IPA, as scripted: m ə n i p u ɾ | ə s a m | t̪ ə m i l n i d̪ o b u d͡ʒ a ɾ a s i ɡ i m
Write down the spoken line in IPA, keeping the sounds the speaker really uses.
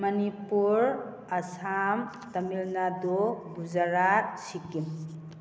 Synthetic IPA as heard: m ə n i p u ɾ | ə s a m | t̪ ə m i l n a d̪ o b u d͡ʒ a ɾ a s i k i m